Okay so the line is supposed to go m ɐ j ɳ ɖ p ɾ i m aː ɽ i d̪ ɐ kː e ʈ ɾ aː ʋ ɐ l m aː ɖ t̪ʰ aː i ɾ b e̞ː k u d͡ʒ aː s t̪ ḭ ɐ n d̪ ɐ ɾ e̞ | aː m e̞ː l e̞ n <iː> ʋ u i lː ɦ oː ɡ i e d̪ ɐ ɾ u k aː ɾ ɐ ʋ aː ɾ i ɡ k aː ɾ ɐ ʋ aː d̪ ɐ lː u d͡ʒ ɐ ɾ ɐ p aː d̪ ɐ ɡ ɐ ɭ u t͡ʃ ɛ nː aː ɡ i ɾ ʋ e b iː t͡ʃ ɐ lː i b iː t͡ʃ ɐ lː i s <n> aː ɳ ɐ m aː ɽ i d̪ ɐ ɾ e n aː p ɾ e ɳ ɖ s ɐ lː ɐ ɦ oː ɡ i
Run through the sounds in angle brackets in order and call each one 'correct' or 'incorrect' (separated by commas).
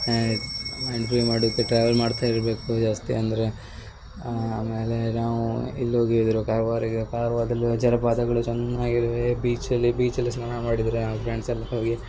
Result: incorrect, correct